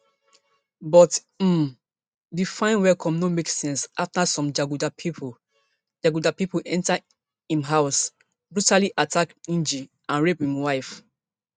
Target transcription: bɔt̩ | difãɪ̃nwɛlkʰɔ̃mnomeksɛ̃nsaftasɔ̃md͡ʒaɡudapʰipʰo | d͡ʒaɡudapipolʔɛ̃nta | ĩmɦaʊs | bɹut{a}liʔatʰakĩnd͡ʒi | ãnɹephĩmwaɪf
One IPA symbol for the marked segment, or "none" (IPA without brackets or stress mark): a